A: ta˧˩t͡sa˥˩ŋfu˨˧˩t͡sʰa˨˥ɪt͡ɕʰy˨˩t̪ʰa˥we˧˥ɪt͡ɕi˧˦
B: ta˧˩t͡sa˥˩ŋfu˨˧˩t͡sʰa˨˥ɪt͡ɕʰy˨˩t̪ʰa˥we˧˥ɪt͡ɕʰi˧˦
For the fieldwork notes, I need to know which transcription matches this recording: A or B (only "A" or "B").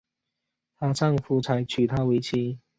B